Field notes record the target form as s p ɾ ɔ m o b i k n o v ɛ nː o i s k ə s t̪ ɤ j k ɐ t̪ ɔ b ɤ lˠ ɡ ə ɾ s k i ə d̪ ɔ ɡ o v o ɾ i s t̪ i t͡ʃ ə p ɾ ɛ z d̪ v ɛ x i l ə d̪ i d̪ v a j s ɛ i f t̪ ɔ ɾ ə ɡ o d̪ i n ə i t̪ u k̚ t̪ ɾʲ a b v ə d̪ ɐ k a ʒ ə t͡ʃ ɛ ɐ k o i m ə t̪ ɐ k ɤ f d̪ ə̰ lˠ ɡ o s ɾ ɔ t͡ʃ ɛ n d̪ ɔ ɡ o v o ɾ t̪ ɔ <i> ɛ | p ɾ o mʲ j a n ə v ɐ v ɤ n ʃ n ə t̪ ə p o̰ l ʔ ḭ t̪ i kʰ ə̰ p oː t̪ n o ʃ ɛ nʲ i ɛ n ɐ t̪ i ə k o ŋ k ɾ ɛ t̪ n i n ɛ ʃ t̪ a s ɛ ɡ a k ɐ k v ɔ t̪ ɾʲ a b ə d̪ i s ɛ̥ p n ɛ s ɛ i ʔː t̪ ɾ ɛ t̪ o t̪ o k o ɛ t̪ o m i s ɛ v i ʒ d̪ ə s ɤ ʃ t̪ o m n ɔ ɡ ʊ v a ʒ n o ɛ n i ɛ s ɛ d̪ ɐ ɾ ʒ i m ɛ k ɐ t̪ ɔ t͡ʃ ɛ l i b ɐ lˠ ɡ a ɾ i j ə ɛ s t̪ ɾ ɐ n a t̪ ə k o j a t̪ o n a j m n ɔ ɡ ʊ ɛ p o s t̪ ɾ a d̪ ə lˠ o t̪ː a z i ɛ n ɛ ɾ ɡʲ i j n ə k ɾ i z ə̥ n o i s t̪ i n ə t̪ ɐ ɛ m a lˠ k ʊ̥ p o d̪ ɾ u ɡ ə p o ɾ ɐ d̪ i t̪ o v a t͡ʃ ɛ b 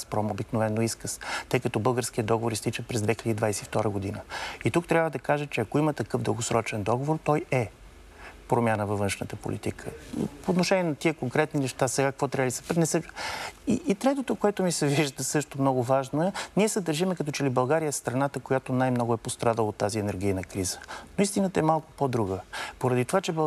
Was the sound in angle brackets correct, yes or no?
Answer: no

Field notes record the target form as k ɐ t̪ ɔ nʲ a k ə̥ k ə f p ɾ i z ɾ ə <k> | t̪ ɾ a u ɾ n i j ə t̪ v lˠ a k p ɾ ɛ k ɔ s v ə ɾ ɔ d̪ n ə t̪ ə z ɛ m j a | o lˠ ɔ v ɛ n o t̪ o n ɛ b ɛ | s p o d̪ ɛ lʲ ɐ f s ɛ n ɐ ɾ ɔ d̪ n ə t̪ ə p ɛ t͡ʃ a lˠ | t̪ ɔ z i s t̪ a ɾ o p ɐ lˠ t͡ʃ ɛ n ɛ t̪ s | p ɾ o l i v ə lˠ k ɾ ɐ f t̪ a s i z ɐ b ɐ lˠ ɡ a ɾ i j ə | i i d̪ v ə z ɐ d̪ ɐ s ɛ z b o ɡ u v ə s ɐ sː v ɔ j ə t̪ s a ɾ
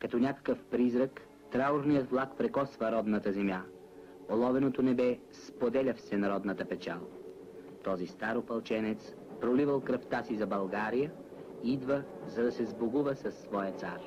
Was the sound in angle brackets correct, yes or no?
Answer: yes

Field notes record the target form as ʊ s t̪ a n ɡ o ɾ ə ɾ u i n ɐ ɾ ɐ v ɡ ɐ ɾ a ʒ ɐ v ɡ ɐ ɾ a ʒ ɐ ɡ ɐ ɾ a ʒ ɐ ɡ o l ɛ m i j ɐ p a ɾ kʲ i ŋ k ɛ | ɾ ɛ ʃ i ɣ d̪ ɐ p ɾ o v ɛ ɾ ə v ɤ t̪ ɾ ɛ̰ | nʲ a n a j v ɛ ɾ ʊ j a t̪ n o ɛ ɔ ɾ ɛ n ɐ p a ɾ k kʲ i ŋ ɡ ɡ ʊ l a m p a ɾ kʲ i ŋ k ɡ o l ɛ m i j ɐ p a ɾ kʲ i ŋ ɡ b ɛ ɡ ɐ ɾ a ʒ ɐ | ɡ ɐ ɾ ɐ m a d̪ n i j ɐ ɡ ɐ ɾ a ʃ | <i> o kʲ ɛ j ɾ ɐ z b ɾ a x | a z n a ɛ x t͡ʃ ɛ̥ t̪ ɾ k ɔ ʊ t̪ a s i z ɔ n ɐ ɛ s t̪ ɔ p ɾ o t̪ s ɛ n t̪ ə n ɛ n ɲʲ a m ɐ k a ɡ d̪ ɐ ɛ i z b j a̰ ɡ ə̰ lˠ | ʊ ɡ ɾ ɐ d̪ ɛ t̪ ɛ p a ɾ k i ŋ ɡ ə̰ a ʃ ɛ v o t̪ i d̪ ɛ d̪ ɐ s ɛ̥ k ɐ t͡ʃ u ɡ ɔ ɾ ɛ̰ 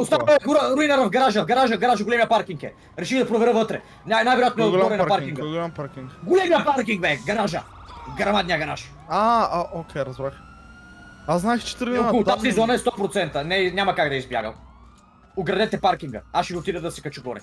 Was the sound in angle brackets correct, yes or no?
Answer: no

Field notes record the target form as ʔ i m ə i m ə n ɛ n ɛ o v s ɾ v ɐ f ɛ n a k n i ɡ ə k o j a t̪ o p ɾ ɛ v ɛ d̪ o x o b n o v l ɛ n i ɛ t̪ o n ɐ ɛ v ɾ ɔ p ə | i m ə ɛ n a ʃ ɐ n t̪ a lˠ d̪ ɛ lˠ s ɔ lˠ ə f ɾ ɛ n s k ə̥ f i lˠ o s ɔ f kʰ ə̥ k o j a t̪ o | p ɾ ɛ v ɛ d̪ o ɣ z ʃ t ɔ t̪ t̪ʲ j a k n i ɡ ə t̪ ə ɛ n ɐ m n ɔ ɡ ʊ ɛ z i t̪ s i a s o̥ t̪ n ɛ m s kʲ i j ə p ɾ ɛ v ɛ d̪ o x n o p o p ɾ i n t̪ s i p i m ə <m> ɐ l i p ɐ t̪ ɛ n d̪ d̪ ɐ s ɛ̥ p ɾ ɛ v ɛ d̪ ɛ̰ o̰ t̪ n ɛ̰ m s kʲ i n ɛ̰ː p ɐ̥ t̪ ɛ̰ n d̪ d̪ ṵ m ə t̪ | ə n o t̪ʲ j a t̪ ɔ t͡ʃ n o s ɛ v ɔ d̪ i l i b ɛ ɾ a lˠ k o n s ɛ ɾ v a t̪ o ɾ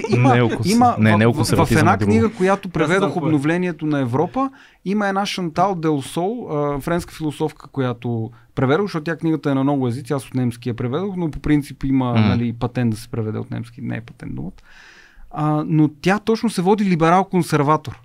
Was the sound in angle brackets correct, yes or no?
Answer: no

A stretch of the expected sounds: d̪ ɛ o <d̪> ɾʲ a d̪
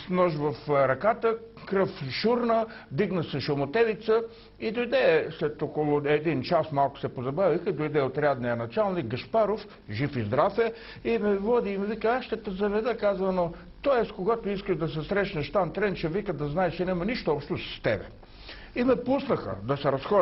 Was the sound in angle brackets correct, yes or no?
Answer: no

